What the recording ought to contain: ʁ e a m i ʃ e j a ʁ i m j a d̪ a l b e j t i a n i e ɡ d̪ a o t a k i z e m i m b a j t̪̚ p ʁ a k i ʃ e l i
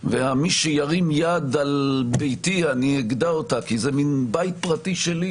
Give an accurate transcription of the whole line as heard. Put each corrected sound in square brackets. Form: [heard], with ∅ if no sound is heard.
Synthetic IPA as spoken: [v] e a m i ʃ e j a ʁ i m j a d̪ a l b e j t i a n i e ɡ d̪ a o t a k i z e m i [n] b a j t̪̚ p ʁ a [t] i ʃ e l i

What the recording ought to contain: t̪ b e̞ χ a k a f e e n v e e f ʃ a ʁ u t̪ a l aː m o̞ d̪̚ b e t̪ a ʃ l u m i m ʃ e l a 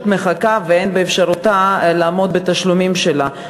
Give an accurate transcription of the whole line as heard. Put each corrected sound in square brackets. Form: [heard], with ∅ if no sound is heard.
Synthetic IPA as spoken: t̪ [m] e̞ χ a k a [v] e e n [b] e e f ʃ a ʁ u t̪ a l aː m o̞ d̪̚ b e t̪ a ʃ l u m i m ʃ e l a

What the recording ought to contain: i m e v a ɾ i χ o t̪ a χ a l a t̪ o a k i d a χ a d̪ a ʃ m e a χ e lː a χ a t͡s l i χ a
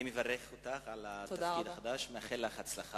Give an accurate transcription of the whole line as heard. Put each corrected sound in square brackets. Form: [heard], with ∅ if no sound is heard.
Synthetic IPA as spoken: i m e v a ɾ [e] χ o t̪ a χ a l a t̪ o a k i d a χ a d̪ a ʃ m e a χ e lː a χ a t͡s l [a] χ a

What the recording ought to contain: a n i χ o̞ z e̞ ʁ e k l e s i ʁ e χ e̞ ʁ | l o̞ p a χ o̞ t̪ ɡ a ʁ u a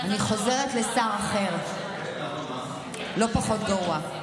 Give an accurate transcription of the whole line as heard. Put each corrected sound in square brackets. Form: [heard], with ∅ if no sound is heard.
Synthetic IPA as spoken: a n i χ o̞ z e̞ ʁ e [t] l e s [a] ʁ [a] χ e̞ ʁ | l o̞ p a χ o̞ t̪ ɡ a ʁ u a

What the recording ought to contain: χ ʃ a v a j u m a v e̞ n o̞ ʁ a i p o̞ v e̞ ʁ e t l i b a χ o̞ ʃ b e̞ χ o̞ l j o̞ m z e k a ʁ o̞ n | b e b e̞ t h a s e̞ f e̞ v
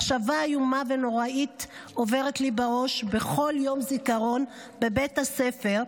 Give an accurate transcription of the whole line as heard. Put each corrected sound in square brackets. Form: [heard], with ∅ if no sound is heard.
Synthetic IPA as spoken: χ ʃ a v a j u m a v e̞ n o̞ ʁ a i [t] o̞ v e̞ ʁ e t l i b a [ʁ] o̞ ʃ b e̞ χ o̞ l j o̞ m z [i] k a ʁ o̞ n | b e b e̞ t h a s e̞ f e̞ [ʁ]

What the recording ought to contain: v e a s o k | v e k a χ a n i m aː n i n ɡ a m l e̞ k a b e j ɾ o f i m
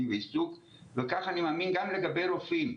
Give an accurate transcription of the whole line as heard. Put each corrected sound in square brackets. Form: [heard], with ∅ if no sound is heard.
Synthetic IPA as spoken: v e [i] s [u] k | v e k a χ a n i m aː [m] i n ɡ a m l e̞ [ɡ] a b e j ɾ o f i m

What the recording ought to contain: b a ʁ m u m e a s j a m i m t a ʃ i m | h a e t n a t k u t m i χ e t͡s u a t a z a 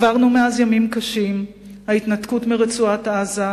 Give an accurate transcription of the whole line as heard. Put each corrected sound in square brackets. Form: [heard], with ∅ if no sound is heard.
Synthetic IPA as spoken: [v] a ʁ [n] u m e a [z] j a m i m [k] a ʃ i m | h a [i] t n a t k u t m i [ʁ] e t͡s u a t a z a

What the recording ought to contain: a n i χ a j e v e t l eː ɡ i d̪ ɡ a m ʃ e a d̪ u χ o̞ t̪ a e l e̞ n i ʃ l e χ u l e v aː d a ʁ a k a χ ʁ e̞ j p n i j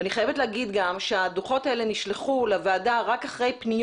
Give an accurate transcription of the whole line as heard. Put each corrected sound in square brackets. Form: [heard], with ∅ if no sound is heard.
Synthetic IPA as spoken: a n i χ a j e v e t l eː ɡ i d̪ ɡ a m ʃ e a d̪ u χ o̞ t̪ a e l e̞ n i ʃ l e χ u l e v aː d a ʁ a k a χ ʁ e̞ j p n i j

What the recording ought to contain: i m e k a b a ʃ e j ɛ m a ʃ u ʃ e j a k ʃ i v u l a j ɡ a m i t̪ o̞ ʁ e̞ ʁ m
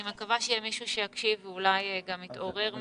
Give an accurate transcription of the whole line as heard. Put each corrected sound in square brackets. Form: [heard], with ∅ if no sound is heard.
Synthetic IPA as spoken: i m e k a [v] a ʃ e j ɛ m [i] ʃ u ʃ e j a k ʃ i v u l a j ɡ a m i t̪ o̞ ʁ e̞ ʁ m

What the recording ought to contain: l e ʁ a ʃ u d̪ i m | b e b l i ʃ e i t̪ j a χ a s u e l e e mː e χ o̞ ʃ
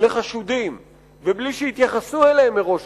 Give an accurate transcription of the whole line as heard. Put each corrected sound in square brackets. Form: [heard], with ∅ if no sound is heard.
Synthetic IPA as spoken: l e [χ] a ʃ u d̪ i m | [v] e b l i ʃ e i t̪ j a χ a s u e l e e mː e [ʁ] o̞ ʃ

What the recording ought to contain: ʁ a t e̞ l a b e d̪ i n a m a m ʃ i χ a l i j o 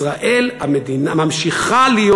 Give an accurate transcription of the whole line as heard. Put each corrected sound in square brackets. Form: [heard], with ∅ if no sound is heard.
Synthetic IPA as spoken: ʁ a [ʔ] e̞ l a [m] e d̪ i n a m a m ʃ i χ a l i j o

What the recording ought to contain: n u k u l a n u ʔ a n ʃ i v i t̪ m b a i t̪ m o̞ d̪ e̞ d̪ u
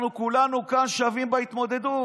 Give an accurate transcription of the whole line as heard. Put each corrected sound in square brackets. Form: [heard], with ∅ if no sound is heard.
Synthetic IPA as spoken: n u k u l a n u [k] a n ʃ [a] v i [∅] m b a i t̪ m o̞ d̪ e̞ d̪ u

